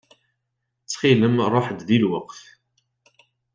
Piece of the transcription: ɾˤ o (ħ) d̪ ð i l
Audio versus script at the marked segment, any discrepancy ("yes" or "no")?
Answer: no